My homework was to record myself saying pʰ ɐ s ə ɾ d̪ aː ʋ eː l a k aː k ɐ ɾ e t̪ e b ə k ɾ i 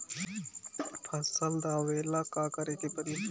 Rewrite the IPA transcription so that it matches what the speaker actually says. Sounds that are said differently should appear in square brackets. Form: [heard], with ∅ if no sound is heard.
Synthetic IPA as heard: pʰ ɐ s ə [l] d̪ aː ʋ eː l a k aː k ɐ ɾ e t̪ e [p] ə [∅] ɾ i